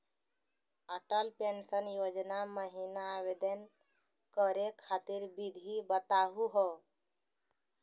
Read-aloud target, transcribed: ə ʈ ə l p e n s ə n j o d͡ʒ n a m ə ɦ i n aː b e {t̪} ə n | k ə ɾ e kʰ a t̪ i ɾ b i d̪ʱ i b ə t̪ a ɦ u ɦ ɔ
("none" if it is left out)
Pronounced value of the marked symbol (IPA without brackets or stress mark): d̪